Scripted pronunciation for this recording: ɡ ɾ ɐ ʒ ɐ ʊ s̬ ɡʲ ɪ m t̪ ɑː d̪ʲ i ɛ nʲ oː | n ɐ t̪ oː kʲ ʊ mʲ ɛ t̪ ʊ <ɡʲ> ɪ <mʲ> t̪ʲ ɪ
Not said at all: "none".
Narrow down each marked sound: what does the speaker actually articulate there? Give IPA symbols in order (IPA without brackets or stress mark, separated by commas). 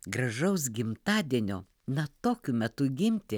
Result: ɡʲ, mʲ